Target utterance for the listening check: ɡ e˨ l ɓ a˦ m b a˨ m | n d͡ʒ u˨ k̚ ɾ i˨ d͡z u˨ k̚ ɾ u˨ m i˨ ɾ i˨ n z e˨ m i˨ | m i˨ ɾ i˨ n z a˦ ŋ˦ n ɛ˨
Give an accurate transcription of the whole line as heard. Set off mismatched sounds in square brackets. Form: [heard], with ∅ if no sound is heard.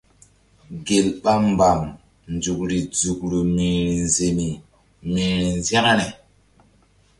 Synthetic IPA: ɡ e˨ l ɓ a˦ m b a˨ m | n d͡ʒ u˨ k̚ ɾ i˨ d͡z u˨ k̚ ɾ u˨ m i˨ ɾ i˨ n z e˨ m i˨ | m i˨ ɾ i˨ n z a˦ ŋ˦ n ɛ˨